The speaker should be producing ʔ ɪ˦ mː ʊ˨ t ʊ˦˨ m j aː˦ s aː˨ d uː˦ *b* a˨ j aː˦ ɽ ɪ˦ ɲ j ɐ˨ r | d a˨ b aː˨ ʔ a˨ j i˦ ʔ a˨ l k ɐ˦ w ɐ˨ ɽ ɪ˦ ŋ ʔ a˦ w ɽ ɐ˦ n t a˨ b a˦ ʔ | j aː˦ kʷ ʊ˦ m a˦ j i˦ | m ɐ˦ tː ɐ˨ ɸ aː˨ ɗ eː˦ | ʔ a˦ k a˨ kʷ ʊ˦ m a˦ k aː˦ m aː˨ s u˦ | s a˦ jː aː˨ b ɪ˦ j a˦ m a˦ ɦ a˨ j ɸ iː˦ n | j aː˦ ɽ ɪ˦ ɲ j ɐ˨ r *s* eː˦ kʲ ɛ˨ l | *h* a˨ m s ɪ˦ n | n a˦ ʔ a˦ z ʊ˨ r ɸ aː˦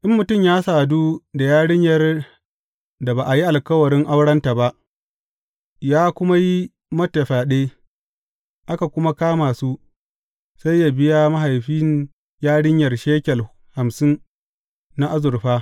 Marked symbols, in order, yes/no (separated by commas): no, no, yes